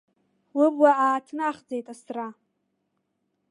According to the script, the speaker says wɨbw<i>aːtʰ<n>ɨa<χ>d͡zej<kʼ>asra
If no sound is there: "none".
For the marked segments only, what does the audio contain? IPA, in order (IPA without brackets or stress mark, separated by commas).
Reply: a, n, χ, tʼ